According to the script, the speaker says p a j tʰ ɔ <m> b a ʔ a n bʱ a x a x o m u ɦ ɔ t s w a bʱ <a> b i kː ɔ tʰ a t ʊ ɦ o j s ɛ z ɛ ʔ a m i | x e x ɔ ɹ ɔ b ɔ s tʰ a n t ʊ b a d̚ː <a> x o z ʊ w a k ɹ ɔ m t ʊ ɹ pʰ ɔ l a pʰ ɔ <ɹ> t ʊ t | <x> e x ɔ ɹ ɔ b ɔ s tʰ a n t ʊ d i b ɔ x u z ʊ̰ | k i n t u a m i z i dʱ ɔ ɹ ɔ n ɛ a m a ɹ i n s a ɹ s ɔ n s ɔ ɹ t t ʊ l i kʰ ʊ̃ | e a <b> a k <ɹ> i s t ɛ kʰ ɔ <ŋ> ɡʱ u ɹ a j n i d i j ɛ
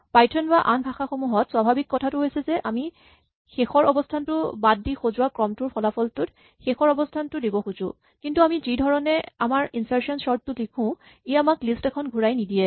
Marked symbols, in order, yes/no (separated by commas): no, yes, no, no, yes, no, no, no